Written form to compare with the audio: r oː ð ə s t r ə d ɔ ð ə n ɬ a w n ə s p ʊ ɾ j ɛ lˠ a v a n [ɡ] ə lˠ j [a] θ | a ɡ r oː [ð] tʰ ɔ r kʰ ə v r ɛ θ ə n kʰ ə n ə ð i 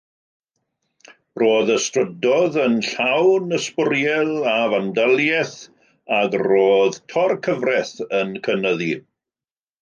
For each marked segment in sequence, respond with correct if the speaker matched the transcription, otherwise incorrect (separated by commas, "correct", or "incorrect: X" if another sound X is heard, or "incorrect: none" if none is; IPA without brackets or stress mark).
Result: incorrect: d, incorrect: ɛ, correct